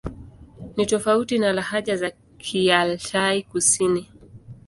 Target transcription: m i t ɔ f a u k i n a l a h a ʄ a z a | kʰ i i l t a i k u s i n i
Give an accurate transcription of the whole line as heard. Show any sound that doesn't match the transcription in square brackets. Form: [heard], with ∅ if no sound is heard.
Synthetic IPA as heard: [n] i t ɔ f a u [t] i n a l a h a ʄ a z a | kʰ i [a] l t a i k u s i n i